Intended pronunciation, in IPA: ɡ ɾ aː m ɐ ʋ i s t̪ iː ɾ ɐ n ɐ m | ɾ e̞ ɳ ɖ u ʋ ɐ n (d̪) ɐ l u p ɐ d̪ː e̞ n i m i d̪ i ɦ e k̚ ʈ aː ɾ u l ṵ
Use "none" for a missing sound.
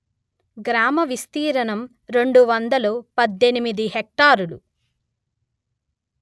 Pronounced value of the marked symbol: d̪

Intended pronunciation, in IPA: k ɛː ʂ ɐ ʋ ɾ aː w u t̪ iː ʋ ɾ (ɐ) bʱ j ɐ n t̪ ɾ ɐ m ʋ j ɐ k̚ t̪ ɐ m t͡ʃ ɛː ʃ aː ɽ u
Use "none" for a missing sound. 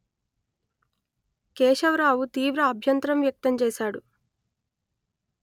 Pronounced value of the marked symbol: ɐː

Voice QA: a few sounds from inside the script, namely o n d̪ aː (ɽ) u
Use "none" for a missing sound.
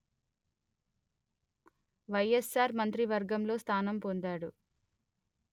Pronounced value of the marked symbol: ɽ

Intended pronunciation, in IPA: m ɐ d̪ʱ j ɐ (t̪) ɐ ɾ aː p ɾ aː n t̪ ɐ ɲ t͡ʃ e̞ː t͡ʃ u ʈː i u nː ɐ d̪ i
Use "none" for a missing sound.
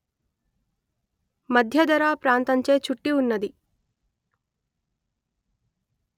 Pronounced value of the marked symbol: d̪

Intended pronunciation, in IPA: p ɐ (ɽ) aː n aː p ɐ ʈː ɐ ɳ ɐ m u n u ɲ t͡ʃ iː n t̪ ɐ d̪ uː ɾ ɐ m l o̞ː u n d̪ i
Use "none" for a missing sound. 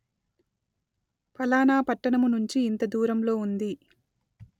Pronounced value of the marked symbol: l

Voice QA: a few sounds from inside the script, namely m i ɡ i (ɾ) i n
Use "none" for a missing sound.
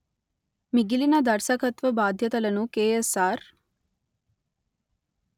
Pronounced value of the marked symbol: l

